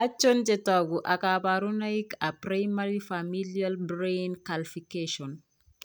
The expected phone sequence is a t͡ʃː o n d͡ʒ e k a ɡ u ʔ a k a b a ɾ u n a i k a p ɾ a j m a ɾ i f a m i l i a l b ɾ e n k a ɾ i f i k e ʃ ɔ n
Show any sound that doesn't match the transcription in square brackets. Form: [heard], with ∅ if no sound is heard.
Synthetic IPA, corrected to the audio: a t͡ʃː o n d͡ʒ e [t] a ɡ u ʔ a k a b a ɾ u n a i k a p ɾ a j m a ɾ i f a m i l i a l b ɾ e n k a [l] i f i k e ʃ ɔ n